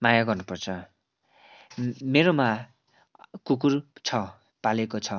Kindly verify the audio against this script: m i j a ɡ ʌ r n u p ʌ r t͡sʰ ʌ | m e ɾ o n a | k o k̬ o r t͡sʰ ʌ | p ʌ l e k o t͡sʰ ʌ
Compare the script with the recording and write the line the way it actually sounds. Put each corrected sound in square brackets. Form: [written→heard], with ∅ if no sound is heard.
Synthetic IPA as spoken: m [i→a] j a ɡ ʌ r n u p ʌ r t͡sʰ ʌ | m e ɾ o [n→m] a | k [o→u] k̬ [o→u] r t͡sʰ ʌ | p [ʌ→a] l e k o t͡sʰ ʌ